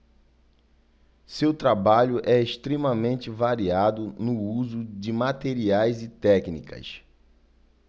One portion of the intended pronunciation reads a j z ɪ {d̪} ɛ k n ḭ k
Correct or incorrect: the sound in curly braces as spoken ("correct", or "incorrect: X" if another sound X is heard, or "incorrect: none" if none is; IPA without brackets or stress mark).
incorrect: t̪